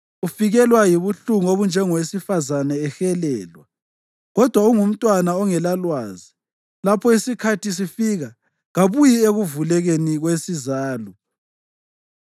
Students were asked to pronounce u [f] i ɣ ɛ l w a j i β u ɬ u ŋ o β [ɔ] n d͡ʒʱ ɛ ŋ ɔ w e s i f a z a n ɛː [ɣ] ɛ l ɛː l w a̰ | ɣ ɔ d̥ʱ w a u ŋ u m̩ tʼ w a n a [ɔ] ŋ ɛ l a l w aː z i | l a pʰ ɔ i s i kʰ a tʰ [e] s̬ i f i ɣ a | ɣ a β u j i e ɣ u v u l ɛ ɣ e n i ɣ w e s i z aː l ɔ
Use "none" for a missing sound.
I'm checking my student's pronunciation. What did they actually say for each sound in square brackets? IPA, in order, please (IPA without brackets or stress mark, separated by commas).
f, u, x, ɔ, i